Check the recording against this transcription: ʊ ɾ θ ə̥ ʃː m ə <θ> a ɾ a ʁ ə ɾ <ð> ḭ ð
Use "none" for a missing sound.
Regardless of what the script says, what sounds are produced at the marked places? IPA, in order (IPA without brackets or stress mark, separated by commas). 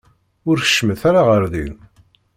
θ, ð